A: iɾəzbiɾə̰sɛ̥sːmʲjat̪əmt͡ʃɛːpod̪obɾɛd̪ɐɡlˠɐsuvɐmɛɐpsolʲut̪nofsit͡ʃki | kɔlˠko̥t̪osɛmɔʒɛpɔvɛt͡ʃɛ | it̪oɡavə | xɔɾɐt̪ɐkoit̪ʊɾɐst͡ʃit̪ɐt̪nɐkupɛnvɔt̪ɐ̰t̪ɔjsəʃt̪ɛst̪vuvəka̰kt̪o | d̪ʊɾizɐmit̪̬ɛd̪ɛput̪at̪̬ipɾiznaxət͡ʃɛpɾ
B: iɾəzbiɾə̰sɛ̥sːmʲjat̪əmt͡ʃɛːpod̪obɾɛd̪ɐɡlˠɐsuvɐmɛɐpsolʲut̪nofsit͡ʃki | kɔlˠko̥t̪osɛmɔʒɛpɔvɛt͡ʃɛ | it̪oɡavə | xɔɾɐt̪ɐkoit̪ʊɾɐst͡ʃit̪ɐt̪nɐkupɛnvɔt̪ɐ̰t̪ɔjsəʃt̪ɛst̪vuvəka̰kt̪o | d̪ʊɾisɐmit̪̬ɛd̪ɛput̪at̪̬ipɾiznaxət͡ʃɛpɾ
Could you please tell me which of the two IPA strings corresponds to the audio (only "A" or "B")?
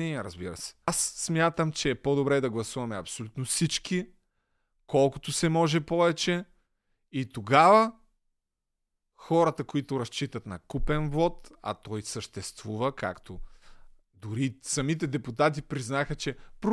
B